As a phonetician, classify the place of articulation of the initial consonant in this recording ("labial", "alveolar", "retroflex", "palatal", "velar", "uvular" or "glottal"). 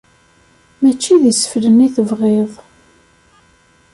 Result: labial